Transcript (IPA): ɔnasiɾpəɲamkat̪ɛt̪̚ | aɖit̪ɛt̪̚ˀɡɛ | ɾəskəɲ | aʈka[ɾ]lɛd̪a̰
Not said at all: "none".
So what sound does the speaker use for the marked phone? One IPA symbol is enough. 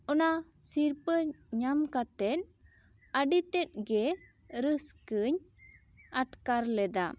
ɾ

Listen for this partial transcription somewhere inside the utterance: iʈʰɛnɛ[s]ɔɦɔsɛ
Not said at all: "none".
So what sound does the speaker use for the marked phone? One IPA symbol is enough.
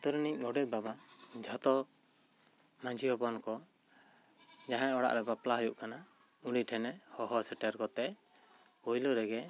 h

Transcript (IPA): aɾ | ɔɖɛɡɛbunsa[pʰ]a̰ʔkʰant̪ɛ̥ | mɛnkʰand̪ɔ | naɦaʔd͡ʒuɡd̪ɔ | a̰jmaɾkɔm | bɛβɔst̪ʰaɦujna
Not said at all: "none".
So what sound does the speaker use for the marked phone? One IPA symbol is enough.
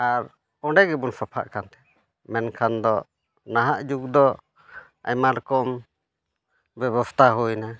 pʰ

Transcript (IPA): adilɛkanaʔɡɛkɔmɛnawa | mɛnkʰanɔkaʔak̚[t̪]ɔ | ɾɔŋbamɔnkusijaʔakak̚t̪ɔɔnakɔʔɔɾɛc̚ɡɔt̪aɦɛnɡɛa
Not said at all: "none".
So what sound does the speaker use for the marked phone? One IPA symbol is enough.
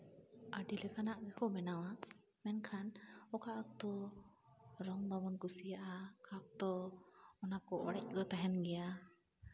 t̪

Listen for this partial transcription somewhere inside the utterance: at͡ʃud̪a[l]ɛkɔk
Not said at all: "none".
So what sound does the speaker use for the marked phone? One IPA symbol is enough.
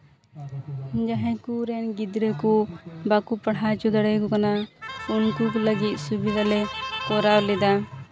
ɽ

